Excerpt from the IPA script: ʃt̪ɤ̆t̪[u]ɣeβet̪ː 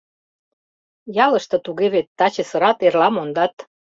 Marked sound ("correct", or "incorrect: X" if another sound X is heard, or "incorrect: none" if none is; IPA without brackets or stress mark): correct